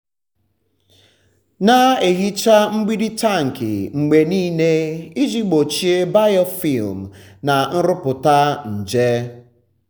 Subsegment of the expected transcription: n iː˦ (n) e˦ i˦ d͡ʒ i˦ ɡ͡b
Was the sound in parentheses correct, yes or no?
yes